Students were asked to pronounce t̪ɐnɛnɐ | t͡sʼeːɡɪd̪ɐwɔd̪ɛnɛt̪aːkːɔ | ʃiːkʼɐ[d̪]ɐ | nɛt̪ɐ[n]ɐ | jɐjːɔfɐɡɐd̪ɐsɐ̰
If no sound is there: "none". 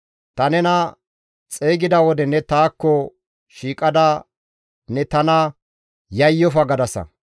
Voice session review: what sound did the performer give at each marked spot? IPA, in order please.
d̪, n

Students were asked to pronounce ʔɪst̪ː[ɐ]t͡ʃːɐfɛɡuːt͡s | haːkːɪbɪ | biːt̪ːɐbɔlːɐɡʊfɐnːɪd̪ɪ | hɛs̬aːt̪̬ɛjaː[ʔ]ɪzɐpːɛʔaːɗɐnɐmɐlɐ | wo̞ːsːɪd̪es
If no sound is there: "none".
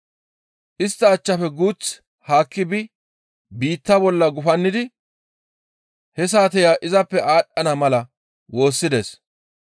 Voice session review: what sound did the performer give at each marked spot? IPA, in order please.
ɐː, ʔ

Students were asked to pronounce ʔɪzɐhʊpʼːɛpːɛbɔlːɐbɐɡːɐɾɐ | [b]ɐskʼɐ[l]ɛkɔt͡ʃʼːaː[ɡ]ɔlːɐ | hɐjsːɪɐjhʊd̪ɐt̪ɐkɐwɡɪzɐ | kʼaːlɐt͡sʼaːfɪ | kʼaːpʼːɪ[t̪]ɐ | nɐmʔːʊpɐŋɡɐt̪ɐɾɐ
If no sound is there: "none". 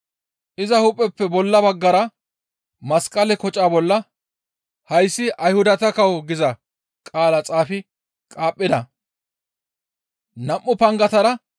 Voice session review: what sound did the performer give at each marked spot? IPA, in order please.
m, l, b, d̪

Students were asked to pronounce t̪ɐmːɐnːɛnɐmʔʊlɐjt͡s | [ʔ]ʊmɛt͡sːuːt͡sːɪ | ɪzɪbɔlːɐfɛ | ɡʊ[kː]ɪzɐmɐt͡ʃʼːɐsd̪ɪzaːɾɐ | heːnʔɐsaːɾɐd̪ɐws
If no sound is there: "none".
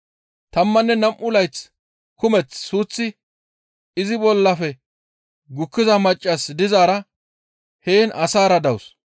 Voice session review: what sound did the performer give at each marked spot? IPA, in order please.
k, kː

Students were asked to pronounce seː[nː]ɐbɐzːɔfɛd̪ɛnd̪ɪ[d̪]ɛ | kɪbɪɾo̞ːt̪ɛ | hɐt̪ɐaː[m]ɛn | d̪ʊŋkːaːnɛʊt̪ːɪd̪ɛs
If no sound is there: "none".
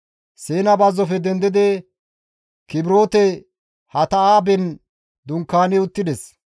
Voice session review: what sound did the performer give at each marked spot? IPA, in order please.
n, d̪, b

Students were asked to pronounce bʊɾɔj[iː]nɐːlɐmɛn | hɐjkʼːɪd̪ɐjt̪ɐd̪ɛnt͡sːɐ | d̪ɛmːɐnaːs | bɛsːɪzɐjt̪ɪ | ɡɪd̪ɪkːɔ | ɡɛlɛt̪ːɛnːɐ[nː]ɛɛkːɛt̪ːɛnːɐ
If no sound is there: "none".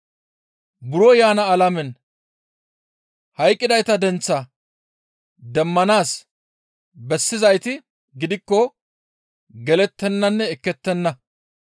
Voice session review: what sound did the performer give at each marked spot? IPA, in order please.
aː, nː

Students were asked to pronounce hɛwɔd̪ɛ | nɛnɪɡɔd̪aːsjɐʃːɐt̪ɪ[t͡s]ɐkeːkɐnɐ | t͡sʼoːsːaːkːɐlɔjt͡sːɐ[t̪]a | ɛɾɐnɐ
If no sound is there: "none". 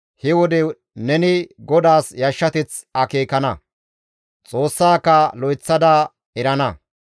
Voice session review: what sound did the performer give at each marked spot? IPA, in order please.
t͡s, d̪

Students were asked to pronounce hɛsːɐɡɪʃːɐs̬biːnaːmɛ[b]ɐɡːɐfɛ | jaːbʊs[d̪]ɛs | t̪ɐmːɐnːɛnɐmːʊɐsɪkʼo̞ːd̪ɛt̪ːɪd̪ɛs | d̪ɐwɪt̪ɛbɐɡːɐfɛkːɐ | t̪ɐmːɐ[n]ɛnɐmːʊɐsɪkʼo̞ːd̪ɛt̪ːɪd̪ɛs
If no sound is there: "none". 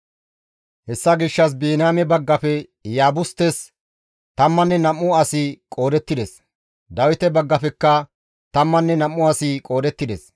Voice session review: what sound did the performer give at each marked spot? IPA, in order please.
b, t̪, nː

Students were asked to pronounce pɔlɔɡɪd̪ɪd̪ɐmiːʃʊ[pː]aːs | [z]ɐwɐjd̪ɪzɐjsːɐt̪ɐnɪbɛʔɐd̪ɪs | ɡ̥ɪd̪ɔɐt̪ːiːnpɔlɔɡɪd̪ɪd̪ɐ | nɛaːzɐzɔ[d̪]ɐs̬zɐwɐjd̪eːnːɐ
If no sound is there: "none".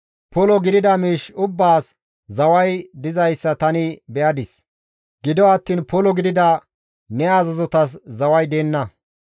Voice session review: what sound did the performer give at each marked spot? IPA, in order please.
bː, z, t̪

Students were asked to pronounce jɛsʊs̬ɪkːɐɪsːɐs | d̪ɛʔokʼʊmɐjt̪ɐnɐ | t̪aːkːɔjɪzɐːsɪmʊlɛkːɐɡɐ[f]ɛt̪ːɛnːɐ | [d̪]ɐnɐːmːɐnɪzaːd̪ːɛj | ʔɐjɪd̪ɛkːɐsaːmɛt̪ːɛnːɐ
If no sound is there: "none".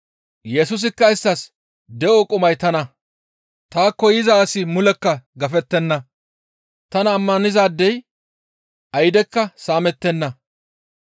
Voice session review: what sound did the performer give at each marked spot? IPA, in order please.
f, t̪

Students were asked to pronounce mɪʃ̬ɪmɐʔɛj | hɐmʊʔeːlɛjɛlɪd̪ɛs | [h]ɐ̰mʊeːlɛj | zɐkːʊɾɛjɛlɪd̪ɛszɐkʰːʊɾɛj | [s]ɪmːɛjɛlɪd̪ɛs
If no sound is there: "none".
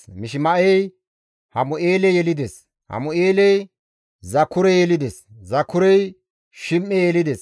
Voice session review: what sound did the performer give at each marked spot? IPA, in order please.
h, ʃ

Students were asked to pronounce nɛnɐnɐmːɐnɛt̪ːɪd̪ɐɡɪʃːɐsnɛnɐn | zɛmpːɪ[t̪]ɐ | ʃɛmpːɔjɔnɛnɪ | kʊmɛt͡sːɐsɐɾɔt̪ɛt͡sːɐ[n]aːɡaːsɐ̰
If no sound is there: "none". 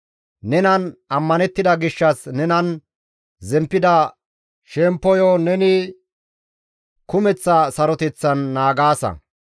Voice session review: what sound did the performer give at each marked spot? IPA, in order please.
d̪, nː

